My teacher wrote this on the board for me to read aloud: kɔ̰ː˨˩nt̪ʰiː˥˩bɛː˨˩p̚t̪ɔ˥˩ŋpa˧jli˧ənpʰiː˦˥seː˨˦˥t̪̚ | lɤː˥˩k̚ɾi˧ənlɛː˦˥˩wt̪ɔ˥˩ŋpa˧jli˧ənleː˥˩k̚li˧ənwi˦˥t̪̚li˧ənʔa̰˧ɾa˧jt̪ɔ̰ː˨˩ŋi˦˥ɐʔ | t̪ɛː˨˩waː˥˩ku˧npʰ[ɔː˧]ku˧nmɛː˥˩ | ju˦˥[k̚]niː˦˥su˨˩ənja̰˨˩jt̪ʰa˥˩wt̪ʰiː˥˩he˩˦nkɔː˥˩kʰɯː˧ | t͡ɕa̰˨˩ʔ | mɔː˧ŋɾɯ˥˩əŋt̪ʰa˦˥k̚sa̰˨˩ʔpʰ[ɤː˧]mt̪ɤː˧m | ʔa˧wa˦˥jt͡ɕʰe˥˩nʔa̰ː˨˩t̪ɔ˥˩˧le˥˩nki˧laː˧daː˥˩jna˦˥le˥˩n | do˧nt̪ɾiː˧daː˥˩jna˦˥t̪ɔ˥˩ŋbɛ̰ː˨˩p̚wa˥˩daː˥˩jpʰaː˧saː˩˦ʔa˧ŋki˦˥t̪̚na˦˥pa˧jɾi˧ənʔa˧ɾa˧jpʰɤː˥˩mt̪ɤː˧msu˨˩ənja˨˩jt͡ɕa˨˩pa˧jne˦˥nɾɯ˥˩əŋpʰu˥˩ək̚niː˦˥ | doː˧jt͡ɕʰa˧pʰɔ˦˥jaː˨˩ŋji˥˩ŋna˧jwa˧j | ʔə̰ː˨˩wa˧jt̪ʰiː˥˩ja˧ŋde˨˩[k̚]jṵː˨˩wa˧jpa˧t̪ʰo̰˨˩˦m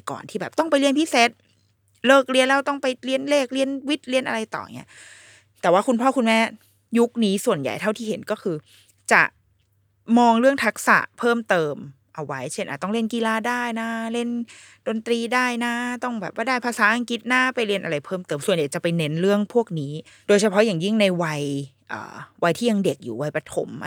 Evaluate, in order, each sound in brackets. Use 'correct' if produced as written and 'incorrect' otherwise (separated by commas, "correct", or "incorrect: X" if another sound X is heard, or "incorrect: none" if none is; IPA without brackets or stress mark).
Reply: incorrect: ɔː˥˩, correct, incorrect: ɤː˥˩, correct